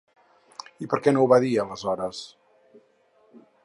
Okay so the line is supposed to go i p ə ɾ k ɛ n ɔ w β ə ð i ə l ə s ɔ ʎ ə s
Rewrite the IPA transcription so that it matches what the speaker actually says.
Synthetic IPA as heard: i p ə ɾ k ɛ n o w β a ð i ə l ə z ɔ ɾ ə s